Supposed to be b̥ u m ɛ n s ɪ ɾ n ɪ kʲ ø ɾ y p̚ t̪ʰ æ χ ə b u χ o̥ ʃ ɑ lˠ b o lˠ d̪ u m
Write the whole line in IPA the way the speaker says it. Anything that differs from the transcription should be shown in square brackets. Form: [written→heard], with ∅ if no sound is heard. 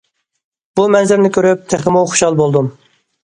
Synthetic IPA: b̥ u m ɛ n [s→z] ɪ ɾ n ɪ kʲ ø ɾ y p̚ t̪ʰ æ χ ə [b→m] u χ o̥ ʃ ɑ lˠ b o lˠ d̪ u m